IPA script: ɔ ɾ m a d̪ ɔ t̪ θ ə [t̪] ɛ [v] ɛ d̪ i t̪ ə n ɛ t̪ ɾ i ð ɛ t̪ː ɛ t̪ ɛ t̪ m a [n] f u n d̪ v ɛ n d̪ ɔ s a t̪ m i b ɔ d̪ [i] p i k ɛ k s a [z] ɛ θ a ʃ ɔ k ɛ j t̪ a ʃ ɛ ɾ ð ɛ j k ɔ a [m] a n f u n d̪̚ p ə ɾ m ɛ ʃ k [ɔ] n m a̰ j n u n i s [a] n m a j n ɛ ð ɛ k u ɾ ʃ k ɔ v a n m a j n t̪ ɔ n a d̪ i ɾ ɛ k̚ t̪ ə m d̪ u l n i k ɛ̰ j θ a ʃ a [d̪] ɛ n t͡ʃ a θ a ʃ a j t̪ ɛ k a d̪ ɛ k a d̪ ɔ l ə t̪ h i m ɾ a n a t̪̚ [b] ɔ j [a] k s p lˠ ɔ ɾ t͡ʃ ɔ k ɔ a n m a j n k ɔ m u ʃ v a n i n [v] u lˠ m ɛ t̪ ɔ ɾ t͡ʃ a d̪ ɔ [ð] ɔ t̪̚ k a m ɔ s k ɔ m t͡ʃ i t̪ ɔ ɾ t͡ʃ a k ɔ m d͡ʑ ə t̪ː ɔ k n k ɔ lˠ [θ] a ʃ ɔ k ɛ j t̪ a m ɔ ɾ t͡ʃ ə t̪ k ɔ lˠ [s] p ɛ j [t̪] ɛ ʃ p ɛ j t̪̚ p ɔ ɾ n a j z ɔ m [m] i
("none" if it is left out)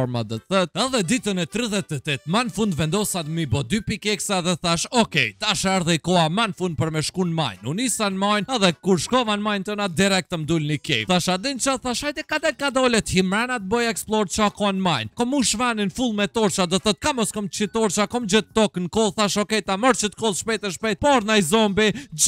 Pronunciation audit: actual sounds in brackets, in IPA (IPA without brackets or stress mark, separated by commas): t̪, ð, n, y, ð, m, u, a, d̪, b, ɛ, f, θ, θ, ʃ, t̪, b